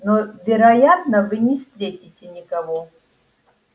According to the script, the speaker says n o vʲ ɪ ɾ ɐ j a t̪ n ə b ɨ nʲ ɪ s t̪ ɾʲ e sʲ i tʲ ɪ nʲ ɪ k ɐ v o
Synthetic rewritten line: n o vʲ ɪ ɾ ɐ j a t̪ n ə v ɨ nʲ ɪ s t̪ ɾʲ e tʲ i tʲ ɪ nʲ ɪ k ɐ v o

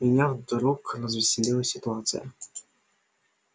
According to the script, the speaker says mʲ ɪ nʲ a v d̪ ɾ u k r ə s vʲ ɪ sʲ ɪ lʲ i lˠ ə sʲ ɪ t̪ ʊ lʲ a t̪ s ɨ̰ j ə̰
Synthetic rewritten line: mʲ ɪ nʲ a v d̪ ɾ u k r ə z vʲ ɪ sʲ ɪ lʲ i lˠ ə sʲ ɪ t̪ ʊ a t̪ s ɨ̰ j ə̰

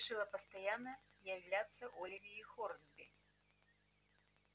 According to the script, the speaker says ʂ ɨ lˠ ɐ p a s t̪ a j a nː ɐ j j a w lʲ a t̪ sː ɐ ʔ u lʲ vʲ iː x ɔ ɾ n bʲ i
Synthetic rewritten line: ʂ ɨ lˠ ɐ p ɐ s t̪ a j a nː ɐ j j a w lʲ a t̪ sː ɐ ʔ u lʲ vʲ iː x ɔ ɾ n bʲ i

